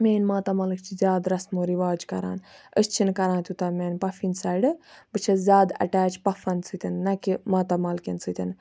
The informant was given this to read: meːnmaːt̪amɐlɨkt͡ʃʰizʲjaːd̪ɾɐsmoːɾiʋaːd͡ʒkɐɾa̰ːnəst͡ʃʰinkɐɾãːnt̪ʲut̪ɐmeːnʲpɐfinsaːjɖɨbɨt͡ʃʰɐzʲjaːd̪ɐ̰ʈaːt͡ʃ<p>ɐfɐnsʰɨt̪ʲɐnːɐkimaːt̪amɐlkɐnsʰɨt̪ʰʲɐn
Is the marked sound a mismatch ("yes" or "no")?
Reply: no